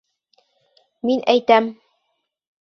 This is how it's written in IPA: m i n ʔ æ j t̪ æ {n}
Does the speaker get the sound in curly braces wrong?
yes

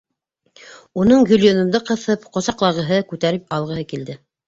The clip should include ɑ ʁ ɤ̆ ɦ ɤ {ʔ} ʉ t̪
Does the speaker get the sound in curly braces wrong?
yes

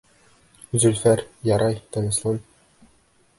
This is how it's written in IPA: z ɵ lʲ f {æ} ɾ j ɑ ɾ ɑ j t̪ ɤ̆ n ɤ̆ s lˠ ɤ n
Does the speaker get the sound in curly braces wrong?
no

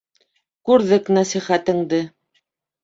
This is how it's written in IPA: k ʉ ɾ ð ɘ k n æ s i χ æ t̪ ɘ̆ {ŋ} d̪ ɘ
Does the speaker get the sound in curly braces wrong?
no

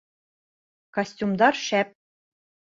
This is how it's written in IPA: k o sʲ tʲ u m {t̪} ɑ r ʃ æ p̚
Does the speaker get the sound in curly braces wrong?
yes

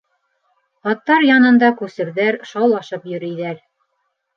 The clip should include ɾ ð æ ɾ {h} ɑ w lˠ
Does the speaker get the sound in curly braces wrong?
yes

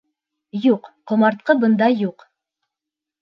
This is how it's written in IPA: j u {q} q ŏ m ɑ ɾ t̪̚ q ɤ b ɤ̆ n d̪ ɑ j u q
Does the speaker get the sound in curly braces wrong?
no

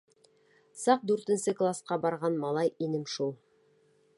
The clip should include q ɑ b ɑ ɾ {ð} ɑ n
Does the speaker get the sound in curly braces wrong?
yes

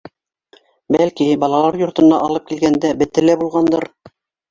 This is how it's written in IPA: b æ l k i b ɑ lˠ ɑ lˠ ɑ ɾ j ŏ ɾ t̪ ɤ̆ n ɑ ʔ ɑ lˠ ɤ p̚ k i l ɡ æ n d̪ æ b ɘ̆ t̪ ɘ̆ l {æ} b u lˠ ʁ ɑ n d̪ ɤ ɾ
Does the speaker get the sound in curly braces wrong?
no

